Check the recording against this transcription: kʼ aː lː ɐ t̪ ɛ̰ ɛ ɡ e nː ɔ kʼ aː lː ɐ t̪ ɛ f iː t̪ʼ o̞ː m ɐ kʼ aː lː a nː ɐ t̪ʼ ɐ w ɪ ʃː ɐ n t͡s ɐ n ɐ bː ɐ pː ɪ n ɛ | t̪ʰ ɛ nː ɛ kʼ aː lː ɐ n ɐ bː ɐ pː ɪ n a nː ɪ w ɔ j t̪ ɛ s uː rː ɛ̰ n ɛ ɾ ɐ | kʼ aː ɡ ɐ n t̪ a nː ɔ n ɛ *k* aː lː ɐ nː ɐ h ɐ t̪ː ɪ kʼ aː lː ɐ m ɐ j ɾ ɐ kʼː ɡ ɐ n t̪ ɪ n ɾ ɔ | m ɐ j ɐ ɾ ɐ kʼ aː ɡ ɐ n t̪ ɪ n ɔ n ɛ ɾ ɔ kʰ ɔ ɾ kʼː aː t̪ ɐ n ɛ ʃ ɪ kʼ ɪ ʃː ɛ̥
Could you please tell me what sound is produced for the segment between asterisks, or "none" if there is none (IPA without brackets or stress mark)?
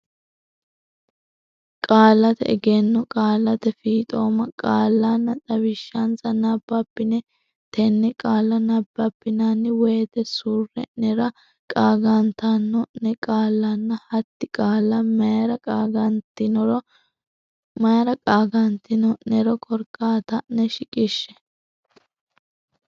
kʼ